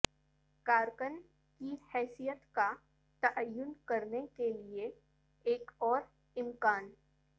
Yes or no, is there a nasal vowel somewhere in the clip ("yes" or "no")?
no